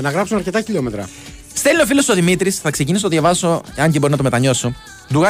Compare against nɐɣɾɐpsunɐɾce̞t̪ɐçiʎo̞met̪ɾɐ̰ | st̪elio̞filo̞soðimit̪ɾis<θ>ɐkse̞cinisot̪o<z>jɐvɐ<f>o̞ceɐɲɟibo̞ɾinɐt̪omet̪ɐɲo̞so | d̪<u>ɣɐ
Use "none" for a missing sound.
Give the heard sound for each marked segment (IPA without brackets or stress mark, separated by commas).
θ, ð, s, u